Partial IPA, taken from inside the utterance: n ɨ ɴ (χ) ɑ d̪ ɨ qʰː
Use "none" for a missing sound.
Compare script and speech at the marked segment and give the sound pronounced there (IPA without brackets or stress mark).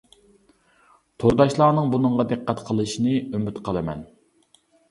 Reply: ʁ